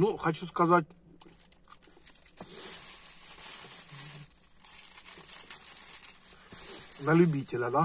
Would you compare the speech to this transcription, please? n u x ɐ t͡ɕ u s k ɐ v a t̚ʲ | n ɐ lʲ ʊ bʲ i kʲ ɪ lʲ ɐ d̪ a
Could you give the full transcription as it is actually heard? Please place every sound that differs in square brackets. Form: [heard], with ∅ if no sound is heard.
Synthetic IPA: n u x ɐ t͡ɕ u s k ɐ [z] a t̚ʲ | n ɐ lʲ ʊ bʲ i [tʲ] ɪ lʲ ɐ d̪ a